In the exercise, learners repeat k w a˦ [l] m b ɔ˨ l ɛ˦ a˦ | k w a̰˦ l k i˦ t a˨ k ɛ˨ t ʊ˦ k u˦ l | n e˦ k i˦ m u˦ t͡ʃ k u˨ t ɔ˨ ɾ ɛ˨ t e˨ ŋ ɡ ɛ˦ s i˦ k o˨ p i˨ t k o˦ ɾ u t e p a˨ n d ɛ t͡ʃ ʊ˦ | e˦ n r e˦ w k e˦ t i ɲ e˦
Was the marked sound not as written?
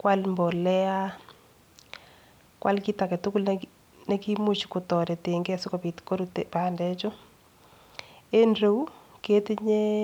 no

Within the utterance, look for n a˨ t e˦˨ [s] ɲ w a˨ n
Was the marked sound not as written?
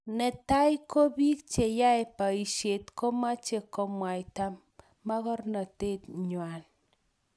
yes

